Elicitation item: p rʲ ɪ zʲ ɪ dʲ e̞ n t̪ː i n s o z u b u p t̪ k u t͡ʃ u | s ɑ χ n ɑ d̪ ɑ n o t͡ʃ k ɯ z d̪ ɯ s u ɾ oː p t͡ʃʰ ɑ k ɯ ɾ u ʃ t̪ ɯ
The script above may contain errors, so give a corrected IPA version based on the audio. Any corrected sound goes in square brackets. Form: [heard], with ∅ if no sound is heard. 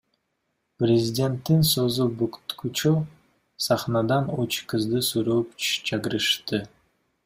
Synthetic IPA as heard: p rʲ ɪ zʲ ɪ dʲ e̞ n t̪ː i n s o z u b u [k] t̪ k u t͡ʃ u | s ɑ χ n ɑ d̪ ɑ n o t͡ʃ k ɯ z d̪ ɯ s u ɾ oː p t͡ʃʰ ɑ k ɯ ɾ [ɯ] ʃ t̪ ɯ